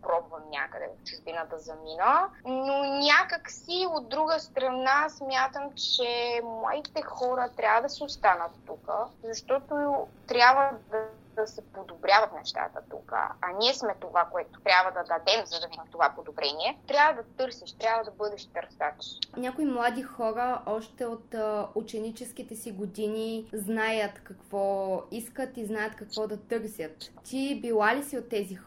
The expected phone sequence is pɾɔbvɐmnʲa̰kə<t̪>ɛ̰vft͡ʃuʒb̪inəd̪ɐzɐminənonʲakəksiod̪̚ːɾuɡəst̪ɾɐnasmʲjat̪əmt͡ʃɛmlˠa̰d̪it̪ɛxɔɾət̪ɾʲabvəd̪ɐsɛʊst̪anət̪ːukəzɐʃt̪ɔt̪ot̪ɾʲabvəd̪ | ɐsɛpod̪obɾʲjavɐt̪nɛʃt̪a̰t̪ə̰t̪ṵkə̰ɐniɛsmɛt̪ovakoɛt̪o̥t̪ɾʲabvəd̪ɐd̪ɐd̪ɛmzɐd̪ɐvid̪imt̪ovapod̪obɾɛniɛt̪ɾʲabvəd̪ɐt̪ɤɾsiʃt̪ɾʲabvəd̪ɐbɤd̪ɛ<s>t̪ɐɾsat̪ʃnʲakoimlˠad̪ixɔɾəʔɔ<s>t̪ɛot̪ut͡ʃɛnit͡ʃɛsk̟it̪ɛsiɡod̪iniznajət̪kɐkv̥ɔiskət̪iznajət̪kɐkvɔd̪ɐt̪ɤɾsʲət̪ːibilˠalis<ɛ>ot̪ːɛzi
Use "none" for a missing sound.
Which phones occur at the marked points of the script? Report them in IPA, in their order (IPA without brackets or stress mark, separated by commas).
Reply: d̪, ʃ, ʃ, i